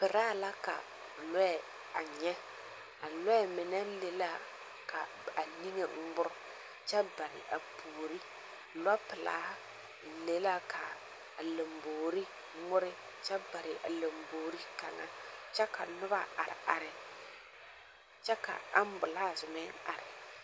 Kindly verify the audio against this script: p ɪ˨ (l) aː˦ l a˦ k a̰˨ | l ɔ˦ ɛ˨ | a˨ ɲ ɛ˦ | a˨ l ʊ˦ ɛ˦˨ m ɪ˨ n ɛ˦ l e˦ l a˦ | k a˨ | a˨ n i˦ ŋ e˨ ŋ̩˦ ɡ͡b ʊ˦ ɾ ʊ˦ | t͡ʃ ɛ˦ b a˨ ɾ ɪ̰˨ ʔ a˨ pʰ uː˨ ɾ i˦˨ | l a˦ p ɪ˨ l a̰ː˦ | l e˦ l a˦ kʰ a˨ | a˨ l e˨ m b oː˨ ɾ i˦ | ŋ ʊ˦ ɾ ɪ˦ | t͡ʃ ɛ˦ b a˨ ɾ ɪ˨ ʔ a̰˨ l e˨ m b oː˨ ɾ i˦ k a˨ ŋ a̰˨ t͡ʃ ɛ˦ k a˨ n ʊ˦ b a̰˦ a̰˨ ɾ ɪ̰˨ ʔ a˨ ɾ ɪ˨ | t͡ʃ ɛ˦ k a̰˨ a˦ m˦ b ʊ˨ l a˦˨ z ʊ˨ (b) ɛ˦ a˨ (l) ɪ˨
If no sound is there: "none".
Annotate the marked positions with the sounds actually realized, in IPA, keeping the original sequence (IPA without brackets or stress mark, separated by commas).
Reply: ɾ, m, ɾ